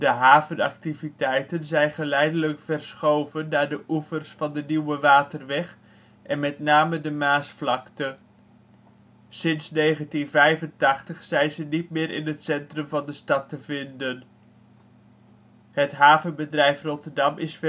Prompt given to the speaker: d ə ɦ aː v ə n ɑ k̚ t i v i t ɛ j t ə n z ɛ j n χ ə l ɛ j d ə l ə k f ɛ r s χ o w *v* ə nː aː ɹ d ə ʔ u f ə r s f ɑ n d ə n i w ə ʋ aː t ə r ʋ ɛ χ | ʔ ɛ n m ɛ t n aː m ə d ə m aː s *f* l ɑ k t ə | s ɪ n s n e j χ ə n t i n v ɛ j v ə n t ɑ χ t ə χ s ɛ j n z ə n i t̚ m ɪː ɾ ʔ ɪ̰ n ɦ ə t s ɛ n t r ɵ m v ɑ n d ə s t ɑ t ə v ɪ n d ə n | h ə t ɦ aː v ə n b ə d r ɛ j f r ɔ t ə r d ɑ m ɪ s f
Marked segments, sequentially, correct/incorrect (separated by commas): correct, correct